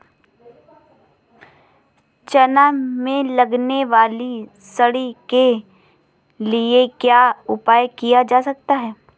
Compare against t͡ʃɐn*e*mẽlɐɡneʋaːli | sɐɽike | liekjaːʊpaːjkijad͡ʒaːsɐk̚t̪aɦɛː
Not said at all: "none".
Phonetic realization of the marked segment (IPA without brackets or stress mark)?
a